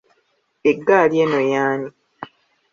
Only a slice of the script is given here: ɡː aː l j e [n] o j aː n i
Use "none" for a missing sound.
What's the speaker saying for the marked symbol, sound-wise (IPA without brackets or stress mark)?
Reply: n